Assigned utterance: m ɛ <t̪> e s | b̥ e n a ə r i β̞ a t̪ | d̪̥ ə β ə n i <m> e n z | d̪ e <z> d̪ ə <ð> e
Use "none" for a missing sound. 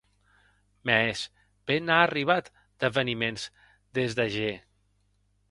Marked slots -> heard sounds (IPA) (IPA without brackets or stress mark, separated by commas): none, m, z, ʒ